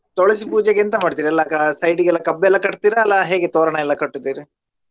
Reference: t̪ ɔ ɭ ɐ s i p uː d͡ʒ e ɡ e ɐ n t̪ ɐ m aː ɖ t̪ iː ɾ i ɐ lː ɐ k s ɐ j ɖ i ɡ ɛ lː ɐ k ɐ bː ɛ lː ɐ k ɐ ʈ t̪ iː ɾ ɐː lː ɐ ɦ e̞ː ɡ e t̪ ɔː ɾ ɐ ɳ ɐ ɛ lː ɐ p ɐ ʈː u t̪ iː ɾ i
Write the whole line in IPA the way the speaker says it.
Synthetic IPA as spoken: t̪ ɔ ɭ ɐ s i p uː d͡ʒ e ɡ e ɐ n t̪ ɐ m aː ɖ t̪ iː ɾ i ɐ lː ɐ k s ɐ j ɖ i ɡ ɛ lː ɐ k ɐ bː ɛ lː ɐ k ɐ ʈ t̪ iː ɾ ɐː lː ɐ ɦ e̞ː ɡ e t̪ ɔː ɾ ɐ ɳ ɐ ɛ lː ɐ k ɐ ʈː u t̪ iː ɾ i